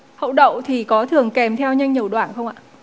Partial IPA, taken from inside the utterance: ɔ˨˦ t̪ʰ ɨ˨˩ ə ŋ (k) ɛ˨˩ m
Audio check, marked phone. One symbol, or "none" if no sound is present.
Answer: k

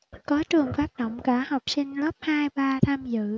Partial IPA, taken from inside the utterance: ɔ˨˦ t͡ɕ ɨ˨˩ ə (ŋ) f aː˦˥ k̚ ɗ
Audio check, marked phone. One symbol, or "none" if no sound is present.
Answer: ŋ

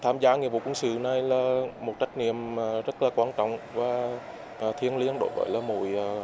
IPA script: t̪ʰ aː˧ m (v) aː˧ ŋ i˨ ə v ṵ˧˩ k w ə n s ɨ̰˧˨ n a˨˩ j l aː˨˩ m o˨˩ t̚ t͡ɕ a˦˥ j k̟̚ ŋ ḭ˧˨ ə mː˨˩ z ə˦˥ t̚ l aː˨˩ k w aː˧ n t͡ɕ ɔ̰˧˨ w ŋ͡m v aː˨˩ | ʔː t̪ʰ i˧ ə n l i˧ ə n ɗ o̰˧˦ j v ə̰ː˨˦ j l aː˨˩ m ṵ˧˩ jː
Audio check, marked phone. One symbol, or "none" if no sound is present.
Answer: z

